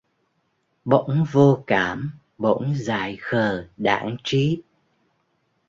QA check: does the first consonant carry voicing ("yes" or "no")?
yes